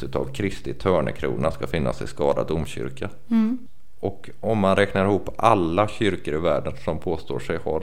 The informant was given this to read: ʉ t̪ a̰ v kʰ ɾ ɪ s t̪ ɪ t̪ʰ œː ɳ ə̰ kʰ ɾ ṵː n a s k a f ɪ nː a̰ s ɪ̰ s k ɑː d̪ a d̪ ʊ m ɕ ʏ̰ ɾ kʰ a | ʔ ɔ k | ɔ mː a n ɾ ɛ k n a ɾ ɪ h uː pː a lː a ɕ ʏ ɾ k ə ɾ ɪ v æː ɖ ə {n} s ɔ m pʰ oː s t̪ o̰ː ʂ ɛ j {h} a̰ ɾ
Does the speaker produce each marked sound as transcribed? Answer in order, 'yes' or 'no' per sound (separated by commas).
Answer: yes, yes